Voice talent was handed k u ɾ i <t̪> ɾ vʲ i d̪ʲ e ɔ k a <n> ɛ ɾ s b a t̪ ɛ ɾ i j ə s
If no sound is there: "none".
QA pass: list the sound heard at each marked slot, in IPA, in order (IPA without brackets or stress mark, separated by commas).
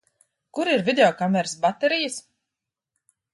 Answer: none, m